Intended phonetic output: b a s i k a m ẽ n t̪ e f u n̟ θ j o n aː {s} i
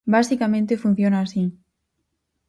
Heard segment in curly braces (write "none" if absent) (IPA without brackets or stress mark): s